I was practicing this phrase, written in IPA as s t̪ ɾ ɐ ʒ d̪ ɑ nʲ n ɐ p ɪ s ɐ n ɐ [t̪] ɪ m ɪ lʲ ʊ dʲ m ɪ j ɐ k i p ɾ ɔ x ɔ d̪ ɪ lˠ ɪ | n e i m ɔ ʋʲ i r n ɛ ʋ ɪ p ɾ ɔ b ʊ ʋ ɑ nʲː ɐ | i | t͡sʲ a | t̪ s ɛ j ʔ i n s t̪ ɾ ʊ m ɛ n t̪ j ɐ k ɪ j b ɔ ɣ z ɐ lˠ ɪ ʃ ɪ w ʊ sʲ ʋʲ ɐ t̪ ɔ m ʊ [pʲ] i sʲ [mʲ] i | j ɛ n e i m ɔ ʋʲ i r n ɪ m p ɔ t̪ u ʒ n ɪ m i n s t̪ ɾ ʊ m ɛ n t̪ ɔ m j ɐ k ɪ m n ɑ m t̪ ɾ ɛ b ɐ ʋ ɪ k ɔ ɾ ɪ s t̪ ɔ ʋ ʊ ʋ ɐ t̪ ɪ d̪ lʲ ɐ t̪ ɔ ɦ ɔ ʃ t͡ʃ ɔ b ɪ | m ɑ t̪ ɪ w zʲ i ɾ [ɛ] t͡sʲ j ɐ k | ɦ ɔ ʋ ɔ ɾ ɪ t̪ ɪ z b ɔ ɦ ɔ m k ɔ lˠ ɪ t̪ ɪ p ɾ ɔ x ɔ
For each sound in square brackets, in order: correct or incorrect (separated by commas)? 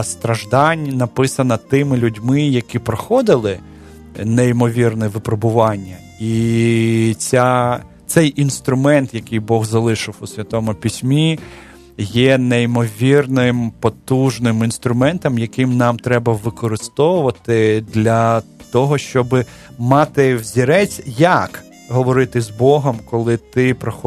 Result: correct, correct, correct, correct